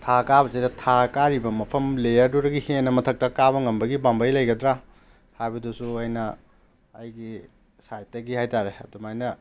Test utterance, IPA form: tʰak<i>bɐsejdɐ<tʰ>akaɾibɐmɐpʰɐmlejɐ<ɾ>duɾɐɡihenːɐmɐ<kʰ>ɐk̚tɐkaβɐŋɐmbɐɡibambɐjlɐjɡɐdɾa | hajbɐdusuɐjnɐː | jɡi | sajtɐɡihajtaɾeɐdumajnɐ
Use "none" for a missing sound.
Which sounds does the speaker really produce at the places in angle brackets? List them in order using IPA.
a, tʰ, ɾ, tʰ

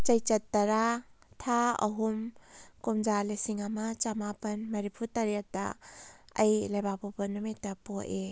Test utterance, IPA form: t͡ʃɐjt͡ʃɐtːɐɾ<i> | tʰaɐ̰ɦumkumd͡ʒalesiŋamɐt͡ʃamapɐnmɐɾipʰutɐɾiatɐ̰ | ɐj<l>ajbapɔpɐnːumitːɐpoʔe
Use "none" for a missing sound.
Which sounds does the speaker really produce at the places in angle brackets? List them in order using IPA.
a, l

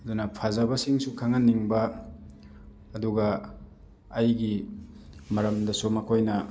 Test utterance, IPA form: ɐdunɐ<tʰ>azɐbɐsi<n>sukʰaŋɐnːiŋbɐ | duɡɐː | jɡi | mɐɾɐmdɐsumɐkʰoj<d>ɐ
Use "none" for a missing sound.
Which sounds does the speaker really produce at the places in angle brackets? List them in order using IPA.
pʰ, ŋ, n

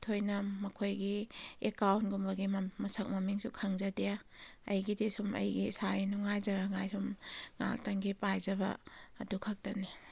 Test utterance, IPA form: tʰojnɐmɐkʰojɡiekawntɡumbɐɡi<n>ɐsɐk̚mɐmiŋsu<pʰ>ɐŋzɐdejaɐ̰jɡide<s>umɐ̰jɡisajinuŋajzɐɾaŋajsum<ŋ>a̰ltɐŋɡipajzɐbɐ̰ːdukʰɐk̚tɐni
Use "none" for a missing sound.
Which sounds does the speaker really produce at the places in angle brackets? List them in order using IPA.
m, kʰ, s, ŋ

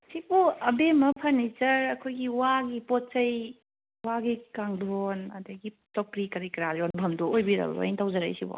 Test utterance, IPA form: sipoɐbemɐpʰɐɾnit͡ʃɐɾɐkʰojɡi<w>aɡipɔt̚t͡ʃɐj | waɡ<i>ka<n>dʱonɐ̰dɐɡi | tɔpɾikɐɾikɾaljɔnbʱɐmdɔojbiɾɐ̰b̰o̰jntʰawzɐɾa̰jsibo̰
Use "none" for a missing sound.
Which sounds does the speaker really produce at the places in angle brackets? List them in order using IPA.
w, i, ŋ

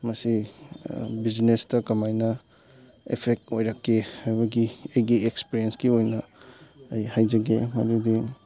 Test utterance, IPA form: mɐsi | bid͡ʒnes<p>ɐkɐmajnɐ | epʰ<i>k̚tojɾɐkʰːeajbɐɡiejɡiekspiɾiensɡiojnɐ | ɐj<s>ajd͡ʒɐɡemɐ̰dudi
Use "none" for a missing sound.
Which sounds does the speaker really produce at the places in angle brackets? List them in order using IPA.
t, e, h

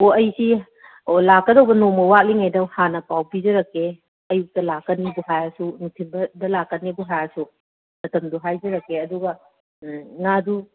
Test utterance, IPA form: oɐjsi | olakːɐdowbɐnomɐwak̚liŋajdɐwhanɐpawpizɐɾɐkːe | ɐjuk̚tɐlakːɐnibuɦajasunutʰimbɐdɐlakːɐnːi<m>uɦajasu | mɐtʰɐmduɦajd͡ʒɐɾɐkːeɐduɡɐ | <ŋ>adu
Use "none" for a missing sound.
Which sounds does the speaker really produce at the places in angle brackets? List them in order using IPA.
b, ŋ

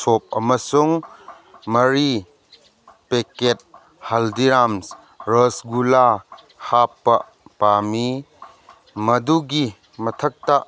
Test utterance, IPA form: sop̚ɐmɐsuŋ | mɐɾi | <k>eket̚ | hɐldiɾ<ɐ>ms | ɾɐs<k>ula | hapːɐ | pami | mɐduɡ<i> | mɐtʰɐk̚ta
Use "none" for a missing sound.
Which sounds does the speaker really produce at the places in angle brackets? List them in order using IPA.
p, a, ɡ, i

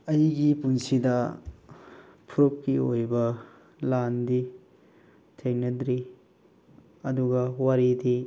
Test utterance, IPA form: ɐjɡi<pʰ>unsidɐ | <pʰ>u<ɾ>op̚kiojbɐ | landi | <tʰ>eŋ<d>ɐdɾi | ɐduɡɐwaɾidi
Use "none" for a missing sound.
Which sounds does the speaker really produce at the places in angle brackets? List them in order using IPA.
p, pʰ, ɾ, tʰ, n

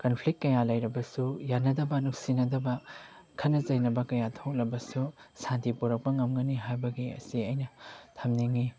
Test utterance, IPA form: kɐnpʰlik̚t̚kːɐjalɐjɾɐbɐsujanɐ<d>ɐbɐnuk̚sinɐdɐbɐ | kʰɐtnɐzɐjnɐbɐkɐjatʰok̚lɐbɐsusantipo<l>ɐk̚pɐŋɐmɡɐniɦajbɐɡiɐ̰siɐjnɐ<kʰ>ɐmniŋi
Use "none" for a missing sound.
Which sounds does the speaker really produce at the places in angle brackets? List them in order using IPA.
d, ɾ, tʰ

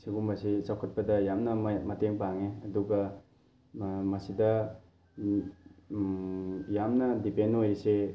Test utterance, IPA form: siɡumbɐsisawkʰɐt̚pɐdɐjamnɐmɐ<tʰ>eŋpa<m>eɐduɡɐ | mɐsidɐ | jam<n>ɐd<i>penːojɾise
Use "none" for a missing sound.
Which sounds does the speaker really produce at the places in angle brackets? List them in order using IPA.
t, ŋ, n, i

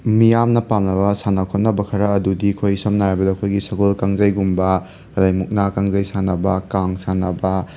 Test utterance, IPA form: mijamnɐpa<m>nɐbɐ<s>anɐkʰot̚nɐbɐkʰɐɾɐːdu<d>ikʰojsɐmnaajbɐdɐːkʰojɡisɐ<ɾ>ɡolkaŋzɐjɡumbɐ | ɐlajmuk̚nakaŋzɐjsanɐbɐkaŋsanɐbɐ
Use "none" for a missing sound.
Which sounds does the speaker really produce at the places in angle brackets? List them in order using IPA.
m, s, d, none

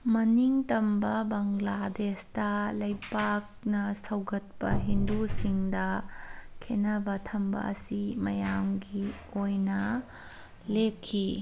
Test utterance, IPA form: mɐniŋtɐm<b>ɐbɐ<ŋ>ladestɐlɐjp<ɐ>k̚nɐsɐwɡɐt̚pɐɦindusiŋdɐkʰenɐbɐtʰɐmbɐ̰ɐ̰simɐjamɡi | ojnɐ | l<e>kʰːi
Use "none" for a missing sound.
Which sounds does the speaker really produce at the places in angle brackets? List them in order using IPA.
b, ŋ, a, e

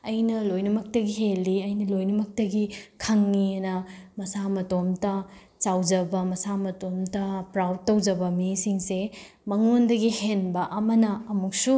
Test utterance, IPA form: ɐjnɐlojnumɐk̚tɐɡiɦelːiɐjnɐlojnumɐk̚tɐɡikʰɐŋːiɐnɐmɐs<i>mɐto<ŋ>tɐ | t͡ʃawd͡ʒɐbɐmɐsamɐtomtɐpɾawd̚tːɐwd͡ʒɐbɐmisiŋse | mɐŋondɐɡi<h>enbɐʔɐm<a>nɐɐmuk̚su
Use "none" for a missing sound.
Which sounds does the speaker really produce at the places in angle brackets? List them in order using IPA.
a, m, h, ɐ

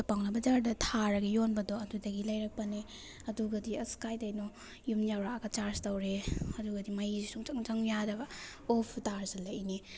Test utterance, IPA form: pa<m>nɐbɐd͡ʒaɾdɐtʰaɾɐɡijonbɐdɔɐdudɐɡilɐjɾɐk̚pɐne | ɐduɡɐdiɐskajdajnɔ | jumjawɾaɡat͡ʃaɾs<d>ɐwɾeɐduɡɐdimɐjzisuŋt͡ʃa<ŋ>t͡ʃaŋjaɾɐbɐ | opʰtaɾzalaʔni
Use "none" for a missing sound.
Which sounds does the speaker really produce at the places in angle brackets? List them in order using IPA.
ŋ, t, ŋ

